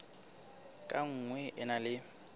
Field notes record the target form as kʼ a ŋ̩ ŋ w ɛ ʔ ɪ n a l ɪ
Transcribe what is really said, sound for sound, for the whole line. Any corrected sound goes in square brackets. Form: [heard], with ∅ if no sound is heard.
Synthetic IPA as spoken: kʼ a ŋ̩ ŋ w ɛ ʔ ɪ n a l ɪ